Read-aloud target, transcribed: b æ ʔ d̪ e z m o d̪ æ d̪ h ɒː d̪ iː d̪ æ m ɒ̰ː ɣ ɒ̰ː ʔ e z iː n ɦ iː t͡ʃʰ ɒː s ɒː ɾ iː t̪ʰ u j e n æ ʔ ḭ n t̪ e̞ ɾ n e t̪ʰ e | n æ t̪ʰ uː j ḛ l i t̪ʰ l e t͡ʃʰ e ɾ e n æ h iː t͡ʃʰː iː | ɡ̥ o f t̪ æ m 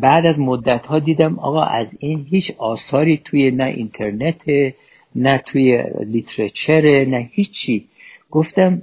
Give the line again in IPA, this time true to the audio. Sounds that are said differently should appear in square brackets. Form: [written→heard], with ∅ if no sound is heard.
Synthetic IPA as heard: b æ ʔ d̪ [e→æ] z m o [d̪→d̪ː] æ [d̪→t̪] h ɒː d̪ iː d̪ æ m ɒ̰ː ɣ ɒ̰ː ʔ [e→æ] z iː n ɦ iː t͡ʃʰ ɒː s ɒː ɾ iː t̪ʰ u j e n æ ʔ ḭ n [t̪→t̪ʰ] e̞ ɾ n e t̪ʰ e | n æ t̪ʰ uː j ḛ l i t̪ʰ [l→ɾ] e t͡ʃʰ e ɾ e n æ h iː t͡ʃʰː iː | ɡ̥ o f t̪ æ m